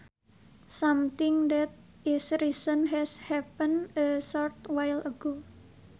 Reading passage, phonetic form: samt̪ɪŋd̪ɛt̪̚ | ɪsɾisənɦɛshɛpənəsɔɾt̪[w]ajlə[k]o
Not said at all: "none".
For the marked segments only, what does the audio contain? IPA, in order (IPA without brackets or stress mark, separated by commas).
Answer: w, ɡ